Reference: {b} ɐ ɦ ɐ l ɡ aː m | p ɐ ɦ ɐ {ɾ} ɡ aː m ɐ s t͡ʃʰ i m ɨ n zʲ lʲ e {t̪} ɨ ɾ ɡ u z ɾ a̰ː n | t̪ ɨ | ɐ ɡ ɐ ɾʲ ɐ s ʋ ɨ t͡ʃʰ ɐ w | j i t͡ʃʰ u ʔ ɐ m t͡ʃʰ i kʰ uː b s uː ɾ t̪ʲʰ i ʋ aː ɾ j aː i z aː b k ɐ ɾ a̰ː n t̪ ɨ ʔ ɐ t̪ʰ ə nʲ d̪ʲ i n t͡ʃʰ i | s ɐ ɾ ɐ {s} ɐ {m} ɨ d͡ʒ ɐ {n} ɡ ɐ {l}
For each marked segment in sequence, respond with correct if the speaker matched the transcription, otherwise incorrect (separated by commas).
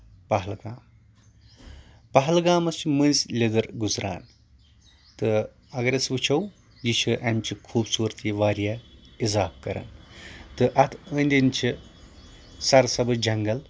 incorrect, incorrect, incorrect, correct, incorrect, incorrect, correct